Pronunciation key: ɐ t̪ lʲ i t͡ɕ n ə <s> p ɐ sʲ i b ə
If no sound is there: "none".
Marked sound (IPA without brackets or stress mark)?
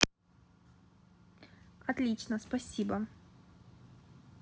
s